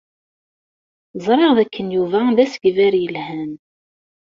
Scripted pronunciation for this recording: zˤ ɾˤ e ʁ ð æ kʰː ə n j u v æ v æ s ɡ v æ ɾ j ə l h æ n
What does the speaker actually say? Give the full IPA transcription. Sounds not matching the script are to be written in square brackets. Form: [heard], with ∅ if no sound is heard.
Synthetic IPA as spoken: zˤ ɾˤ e ʁ ð æ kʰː ə n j u v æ [ð] æ s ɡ v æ ɾ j ə l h æ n